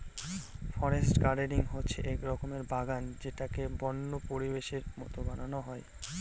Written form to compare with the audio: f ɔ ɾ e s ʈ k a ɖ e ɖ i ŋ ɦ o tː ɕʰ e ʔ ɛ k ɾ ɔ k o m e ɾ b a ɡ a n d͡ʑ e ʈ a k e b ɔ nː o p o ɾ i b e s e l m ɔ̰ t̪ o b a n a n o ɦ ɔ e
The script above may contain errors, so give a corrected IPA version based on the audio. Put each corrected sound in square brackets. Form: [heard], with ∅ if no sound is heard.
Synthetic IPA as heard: f ɔ ɾ e s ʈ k a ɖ e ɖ i ŋ ɦ o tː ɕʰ e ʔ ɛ k ɾ ɔ k o m e ɾ b a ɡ a n d͡ʑ e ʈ a k e b ɔ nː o p o ɾ i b e [ʃ] e [ɾ] m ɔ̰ t̪ o b a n a n o ɦ ɔ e